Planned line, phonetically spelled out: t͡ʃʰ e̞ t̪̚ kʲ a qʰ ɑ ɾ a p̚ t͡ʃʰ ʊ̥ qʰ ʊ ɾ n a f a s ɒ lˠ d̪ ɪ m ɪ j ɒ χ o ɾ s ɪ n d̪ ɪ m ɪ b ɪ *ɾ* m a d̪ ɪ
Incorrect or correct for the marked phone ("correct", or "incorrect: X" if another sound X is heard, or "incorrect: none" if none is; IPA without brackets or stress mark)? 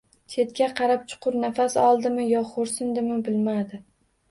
incorrect: l